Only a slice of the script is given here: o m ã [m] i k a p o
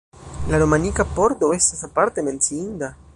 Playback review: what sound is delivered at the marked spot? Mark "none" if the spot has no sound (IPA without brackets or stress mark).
n